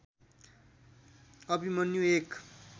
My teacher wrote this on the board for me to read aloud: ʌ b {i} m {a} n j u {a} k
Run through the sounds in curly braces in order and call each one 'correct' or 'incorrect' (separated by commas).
correct, incorrect, incorrect